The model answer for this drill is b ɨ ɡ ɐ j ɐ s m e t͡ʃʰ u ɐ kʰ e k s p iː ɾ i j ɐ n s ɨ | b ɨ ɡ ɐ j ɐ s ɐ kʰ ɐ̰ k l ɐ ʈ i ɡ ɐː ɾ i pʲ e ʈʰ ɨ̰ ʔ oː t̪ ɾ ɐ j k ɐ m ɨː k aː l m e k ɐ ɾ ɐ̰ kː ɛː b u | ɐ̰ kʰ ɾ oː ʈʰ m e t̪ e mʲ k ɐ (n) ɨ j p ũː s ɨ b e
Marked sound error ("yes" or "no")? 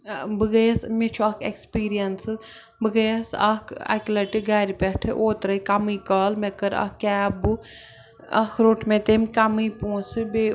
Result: yes